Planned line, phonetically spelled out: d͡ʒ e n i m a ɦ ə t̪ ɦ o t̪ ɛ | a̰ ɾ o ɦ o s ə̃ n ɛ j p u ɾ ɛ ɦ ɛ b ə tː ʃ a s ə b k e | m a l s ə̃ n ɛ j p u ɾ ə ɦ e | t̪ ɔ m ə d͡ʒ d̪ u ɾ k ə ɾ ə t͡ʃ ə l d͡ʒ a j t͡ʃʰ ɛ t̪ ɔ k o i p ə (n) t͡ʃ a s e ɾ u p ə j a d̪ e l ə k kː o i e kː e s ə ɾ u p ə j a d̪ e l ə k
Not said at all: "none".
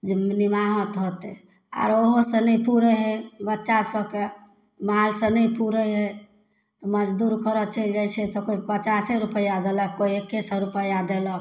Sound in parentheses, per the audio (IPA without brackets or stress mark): none